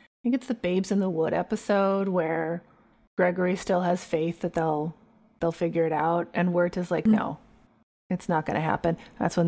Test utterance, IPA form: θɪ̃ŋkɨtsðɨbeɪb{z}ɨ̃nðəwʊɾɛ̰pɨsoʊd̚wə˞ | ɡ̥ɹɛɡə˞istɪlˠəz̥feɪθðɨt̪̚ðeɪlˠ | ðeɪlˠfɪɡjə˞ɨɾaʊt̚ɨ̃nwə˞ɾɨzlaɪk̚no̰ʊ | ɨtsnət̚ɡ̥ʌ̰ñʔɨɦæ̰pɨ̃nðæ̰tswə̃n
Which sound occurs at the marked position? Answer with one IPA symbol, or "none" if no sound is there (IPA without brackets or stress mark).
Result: z